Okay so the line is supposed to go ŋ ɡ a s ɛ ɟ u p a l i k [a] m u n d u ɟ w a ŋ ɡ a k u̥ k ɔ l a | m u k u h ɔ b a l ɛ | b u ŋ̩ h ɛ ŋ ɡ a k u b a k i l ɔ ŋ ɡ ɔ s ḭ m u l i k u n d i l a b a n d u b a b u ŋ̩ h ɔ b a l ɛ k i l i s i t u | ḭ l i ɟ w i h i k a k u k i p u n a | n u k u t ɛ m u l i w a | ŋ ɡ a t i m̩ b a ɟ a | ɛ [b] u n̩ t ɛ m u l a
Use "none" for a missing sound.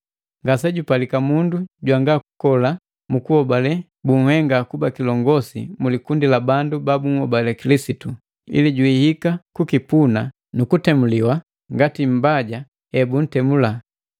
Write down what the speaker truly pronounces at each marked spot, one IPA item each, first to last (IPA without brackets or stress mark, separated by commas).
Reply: a, b